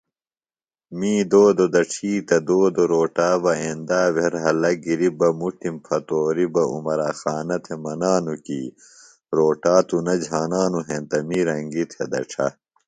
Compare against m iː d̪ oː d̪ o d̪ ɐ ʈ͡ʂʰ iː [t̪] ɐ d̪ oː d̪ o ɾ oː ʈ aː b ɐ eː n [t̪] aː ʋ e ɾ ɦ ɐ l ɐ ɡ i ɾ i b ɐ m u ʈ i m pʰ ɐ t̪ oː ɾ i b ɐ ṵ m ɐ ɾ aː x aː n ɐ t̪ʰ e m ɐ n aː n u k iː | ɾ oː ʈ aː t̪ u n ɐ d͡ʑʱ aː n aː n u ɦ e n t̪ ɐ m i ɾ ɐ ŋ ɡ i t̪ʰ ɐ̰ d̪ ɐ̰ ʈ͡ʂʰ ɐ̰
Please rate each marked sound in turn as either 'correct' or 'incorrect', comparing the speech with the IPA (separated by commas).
correct, incorrect